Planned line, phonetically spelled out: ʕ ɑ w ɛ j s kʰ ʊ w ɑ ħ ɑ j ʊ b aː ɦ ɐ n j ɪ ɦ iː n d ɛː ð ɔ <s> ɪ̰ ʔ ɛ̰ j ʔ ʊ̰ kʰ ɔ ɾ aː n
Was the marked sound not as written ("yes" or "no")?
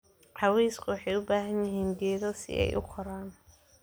no